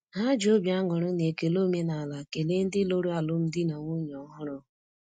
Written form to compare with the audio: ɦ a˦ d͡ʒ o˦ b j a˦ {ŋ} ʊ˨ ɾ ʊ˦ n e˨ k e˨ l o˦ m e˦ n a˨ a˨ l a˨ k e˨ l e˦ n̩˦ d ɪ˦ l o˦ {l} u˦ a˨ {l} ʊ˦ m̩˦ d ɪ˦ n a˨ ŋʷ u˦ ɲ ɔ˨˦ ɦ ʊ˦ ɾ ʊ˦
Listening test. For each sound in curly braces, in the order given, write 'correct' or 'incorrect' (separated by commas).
correct, incorrect, correct